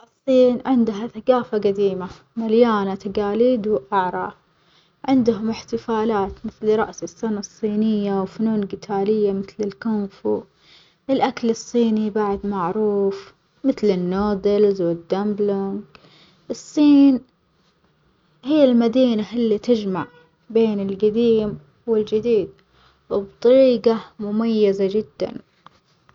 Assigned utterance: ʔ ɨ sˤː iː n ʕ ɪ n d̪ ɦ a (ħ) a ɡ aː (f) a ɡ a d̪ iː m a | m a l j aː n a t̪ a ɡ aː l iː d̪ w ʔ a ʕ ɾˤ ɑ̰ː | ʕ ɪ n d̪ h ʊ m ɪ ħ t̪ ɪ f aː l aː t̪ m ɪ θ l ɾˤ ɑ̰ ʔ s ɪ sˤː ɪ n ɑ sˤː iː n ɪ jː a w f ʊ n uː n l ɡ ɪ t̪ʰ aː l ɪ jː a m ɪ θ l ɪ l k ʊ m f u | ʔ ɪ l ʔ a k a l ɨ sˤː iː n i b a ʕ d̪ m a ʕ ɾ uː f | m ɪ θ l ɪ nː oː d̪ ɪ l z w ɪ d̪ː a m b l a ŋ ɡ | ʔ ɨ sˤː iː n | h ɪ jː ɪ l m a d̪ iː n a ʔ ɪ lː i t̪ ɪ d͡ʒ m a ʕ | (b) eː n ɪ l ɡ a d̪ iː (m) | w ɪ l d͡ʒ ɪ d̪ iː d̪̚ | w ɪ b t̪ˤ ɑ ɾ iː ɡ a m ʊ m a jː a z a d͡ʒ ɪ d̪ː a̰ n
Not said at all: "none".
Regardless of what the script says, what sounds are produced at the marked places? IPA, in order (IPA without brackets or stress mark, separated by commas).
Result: θ, f, b, m